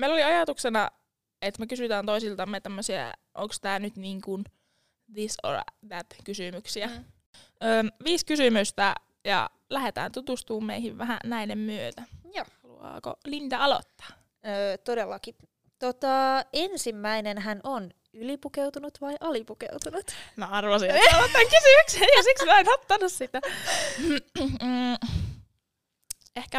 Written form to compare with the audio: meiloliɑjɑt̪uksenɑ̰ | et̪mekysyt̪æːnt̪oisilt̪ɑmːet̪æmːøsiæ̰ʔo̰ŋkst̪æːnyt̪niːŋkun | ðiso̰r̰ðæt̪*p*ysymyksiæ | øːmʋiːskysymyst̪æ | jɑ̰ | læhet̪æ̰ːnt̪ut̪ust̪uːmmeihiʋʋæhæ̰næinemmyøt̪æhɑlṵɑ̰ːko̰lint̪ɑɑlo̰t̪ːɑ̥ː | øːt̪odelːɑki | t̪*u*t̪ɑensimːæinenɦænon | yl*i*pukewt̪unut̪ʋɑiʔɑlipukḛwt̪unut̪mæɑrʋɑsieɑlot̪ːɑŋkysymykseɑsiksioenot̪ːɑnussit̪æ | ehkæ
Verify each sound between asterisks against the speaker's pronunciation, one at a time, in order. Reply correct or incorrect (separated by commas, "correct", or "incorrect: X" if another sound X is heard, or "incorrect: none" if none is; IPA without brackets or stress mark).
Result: incorrect: k, incorrect: o, correct